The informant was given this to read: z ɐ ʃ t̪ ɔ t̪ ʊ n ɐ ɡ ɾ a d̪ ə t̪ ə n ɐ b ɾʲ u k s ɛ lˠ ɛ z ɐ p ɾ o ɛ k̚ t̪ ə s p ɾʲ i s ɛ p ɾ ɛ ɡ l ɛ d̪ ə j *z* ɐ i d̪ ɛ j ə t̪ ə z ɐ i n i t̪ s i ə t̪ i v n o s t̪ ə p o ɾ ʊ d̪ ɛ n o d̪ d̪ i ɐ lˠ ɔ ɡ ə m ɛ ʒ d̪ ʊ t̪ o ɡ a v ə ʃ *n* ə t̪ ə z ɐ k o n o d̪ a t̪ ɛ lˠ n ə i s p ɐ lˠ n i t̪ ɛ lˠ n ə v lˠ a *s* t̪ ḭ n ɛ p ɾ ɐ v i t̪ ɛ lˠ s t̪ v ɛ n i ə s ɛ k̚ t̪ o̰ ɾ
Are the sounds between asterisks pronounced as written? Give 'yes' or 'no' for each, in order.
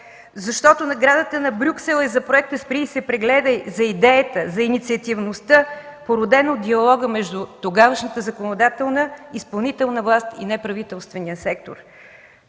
yes, yes, yes

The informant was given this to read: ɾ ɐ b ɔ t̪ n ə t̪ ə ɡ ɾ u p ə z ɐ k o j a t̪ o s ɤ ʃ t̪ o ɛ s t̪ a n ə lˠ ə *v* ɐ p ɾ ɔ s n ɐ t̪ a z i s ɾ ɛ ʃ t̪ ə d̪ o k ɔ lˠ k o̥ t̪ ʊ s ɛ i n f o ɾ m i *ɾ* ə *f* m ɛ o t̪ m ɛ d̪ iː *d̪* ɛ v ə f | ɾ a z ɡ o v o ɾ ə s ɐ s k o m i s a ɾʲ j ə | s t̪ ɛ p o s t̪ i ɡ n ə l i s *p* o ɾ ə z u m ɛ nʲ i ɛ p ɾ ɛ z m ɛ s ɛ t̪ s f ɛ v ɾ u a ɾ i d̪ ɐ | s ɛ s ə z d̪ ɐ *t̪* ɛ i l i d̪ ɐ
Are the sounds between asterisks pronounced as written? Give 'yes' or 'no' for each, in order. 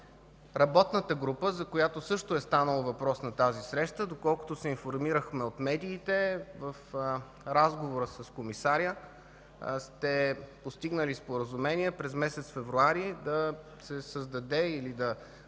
yes, yes, no, no, yes, no

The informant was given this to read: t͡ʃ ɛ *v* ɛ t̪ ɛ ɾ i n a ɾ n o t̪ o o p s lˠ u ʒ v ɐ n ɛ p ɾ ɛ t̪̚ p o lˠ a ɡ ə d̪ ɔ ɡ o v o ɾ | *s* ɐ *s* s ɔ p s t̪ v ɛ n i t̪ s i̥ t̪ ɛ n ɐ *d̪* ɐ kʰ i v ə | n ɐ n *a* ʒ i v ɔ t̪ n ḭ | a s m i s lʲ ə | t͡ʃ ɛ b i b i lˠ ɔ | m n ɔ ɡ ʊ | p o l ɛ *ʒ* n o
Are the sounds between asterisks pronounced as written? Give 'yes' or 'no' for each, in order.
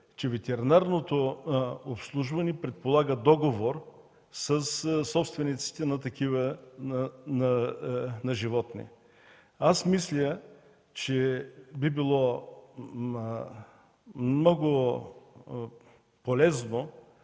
yes, yes, yes, no, no, no

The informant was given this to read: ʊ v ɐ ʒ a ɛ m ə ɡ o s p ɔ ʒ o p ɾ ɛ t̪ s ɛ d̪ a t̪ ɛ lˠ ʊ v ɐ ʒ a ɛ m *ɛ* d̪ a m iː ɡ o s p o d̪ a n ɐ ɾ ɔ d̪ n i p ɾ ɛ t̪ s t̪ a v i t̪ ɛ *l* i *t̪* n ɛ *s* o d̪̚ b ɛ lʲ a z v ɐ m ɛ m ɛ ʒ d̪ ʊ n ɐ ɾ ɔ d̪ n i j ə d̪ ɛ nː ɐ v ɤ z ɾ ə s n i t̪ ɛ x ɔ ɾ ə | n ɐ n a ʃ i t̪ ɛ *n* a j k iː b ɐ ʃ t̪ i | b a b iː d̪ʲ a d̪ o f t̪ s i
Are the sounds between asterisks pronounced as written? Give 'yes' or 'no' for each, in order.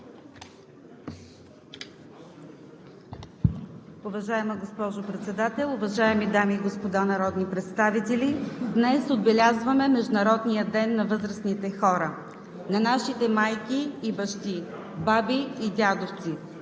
no, yes, no, yes, no

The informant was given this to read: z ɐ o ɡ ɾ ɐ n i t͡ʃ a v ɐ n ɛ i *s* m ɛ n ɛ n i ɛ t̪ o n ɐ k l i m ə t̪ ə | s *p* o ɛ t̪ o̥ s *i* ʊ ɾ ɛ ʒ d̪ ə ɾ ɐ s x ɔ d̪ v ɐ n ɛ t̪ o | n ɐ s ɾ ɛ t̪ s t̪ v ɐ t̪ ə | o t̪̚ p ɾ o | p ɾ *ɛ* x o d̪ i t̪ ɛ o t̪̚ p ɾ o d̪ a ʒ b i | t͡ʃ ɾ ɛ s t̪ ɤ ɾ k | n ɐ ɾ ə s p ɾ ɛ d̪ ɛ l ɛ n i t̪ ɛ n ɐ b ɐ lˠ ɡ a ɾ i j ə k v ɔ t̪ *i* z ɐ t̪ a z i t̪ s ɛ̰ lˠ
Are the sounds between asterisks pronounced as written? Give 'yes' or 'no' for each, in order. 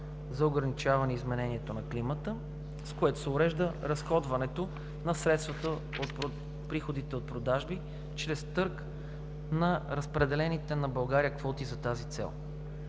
no, no, no, no, yes

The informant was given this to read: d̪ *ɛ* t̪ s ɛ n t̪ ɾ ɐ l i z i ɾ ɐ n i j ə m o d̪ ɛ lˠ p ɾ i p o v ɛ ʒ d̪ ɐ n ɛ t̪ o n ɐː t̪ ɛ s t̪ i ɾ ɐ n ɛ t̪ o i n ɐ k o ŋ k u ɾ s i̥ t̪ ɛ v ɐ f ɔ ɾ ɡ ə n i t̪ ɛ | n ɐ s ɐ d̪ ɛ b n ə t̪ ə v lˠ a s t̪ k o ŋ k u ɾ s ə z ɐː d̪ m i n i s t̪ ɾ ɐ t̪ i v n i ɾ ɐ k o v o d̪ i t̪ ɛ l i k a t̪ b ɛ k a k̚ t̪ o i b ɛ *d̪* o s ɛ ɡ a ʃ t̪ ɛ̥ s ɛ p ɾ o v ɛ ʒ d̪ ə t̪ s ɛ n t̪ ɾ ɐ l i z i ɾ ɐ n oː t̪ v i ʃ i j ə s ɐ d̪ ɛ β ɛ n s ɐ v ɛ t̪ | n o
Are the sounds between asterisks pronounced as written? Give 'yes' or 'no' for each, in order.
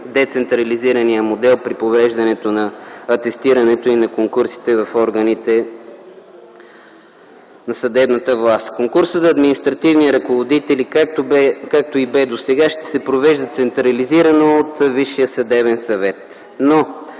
yes, yes

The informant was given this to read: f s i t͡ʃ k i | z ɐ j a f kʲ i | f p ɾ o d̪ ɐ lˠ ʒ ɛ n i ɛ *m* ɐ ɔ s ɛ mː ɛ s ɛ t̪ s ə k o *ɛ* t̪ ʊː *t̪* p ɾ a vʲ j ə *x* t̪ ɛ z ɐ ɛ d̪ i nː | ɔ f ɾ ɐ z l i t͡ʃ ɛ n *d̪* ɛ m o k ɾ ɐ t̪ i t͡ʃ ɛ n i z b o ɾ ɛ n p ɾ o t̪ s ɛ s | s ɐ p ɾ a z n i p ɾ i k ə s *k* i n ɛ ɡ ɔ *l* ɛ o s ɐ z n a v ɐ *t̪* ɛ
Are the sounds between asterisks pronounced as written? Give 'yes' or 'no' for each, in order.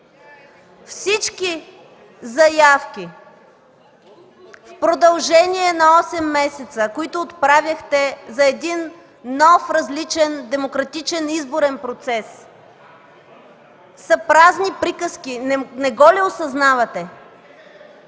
no, no, yes, yes, yes, yes, yes, yes

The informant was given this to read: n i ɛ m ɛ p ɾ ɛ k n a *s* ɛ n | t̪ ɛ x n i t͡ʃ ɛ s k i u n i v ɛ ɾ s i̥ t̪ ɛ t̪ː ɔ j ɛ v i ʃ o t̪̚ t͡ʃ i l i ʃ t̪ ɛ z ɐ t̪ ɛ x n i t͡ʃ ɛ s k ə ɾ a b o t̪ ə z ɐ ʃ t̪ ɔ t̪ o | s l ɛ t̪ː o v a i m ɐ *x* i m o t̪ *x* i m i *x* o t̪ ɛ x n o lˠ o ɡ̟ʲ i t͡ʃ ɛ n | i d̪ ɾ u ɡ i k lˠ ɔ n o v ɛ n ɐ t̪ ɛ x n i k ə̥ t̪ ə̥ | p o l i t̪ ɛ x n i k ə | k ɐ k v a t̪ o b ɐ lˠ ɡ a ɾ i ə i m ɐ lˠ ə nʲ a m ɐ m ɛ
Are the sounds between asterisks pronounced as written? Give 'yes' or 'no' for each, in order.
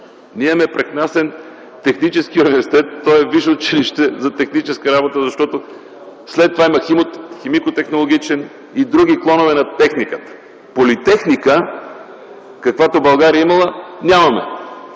yes, yes, yes, no

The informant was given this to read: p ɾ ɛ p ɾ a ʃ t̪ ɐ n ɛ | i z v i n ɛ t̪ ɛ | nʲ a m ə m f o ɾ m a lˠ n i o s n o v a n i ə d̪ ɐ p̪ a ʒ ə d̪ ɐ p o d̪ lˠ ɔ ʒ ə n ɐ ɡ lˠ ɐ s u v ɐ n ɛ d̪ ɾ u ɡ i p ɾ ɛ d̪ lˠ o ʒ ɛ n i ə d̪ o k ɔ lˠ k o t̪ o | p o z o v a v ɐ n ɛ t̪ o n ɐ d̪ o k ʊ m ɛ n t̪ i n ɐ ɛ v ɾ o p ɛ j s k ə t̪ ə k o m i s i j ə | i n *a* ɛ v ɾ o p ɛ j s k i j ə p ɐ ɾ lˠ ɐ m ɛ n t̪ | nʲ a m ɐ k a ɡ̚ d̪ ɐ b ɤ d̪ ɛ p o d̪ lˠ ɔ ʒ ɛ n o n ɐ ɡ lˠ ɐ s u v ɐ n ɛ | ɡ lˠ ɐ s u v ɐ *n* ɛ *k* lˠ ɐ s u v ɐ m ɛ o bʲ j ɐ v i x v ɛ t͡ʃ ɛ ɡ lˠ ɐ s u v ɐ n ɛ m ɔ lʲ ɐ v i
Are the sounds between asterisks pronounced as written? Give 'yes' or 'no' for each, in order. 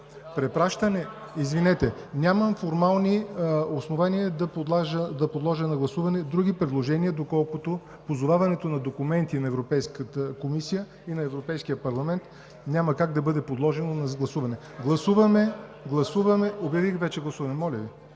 no, no, no

